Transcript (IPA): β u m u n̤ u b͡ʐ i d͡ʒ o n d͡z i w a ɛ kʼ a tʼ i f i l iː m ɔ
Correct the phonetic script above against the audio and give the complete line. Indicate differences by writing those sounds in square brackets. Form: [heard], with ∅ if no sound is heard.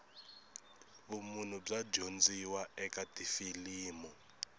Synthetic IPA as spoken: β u m u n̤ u b͡ʐ [a] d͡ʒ o n d͡z i w a ɛ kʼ a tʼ i f i l iː m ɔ